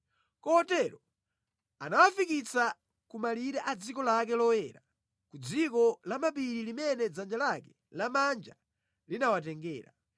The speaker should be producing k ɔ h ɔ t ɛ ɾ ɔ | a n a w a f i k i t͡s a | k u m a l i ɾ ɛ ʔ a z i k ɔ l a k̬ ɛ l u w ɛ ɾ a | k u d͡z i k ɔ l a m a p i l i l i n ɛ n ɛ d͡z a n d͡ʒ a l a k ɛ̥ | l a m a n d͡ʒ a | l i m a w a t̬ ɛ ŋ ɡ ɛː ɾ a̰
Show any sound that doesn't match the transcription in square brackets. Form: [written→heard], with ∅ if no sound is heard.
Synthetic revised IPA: k ɔ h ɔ t ɛ ɾ ɔ | a n a w a f i k i t͡s a | k u m a l i ɾ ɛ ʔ a [z→d͡z] i k ɔ l a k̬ ɛ l [u→ɔ] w ɛ ɾ a | k u d͡z i k ɔ l a m a p i [l→ɾ] i l i [n→m] ɛ n ɛ d͡z a n d͡ʒ a l a k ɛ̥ | l a m a n d͡ʒ a | l i [m→n] a w a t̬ ɛ ŋ ɡ ɛː ɾ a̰